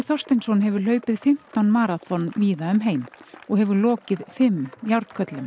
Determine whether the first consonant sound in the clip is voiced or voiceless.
voiceless